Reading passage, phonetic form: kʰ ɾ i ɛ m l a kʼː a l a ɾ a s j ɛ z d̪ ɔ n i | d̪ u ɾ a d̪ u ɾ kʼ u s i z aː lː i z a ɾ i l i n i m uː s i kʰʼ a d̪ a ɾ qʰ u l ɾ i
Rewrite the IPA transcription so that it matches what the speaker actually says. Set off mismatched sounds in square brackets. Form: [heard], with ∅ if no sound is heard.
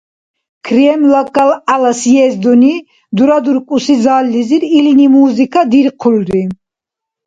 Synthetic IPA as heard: kʰ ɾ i ɛ m l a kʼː a l a [l] a s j ɛ z d̪ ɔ n i | d̪ u ɾ a d̪ u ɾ kʼ u s i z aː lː i z [i] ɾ i l i n i m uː [z] i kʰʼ a d̪ [i] ɾ qʰ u l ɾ i